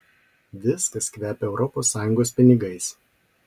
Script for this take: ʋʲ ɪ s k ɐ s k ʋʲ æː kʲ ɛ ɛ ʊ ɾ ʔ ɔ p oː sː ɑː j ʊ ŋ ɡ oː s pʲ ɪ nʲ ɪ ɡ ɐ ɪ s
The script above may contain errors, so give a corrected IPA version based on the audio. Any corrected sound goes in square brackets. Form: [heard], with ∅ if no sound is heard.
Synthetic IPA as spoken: ʋʲ ɪ s k ɐ s k ʋʲ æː [pʲ] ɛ ɛ ʊ ɾ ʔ ɔ p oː sː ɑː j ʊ ŋ ɡ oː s pʲ ɪ nʲ ɪ ɡ ɐ ɪ s